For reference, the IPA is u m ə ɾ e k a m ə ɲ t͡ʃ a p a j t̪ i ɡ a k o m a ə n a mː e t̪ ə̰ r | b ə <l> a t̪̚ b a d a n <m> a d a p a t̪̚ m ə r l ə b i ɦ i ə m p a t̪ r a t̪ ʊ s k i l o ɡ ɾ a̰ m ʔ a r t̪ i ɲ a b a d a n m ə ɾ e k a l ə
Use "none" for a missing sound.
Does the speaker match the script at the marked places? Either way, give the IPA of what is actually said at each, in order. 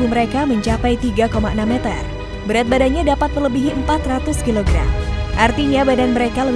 ɾ, ɲ

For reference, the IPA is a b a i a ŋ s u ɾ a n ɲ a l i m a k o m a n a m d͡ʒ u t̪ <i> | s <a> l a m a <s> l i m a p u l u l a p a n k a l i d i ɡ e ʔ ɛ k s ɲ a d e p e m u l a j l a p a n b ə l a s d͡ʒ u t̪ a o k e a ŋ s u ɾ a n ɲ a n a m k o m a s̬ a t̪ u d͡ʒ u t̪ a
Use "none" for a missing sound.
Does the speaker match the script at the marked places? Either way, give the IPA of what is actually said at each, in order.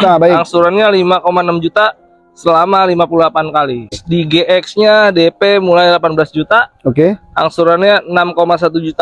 a, ə, none

